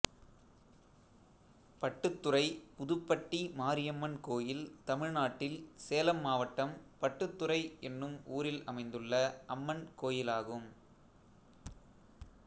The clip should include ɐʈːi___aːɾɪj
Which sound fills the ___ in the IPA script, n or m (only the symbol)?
m